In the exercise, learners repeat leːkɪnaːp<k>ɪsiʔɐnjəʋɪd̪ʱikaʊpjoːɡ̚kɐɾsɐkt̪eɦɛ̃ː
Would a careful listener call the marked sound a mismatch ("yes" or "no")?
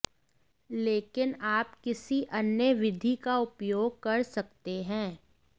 no